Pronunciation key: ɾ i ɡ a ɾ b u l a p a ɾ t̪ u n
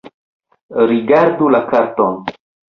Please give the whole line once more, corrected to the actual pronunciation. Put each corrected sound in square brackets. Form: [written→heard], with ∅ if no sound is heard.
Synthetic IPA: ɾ i ɡ a ɾ [b→d] u l a [p→k] a ɾ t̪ [u→o] n